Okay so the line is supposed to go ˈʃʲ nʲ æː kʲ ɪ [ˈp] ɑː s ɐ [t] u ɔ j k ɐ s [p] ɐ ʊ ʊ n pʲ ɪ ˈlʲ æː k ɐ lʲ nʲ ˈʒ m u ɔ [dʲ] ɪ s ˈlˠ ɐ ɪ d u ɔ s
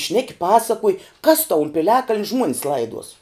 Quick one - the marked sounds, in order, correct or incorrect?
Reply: correct, incorrect: k, incorrect: t, incorrect: nʲ

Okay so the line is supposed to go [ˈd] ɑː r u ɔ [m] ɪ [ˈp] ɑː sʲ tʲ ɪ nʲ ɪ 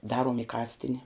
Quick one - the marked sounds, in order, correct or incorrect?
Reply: correct, correct, incorrect: k

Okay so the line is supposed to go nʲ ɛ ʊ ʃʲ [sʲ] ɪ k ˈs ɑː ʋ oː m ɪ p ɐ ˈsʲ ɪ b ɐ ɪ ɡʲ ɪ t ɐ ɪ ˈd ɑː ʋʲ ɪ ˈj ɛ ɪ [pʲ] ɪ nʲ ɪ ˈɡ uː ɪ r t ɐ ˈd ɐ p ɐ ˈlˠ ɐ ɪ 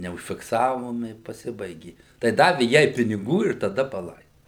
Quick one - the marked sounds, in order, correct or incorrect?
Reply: incorrect: fʲ, correct

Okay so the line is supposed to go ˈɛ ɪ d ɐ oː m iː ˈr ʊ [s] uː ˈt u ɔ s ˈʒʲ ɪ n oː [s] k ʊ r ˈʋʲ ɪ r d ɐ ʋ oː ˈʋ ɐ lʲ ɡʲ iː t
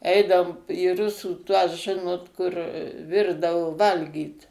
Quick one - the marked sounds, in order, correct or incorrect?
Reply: correct, incorrect: t

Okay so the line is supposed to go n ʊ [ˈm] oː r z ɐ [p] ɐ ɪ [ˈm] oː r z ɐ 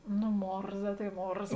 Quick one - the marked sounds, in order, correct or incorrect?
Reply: correct, incorrect: t, correct

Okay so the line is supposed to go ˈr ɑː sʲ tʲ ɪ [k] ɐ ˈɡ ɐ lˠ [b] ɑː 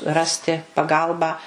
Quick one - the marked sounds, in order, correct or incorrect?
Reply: incorrect: p, correct

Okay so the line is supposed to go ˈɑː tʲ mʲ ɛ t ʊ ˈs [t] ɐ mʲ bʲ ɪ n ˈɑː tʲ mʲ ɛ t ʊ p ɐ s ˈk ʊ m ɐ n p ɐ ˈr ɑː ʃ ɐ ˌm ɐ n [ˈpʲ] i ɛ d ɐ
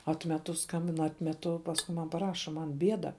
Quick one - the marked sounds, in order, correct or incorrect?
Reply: incorrect: k, incorrect: bʲ

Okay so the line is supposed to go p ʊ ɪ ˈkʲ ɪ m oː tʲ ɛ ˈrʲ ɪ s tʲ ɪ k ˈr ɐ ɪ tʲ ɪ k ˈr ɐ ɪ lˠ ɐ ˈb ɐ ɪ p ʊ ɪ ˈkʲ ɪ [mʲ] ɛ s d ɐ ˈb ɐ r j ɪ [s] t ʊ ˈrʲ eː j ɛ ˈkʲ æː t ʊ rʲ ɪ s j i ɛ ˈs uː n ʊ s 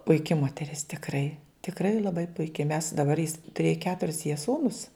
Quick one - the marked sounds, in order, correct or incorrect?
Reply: correct, correct

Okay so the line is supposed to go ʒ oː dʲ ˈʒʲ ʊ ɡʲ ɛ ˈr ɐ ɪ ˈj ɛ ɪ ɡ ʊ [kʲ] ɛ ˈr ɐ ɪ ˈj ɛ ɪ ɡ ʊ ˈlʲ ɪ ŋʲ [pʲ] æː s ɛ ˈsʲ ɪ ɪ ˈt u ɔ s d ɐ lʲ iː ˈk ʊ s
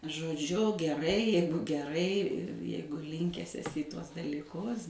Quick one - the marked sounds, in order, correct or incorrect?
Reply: incorrect: ɡʲ, incorrect: kʲ

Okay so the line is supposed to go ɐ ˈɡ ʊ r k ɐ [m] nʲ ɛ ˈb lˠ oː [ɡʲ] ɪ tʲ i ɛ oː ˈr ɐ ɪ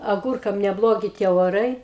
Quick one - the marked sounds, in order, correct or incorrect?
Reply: correct, correct

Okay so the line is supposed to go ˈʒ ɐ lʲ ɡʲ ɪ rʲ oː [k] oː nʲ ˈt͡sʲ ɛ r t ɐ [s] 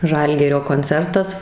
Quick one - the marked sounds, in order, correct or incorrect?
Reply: correct, correct

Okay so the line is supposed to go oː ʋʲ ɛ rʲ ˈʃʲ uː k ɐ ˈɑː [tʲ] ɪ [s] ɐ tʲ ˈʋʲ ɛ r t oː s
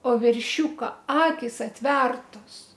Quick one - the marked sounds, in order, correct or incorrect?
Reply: incorrect: kʲ, correct

